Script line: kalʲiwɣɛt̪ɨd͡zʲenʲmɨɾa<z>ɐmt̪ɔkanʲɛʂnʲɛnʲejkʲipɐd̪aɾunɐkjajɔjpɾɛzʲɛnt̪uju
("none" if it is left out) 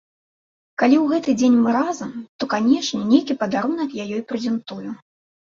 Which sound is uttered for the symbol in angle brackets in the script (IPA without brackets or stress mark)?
z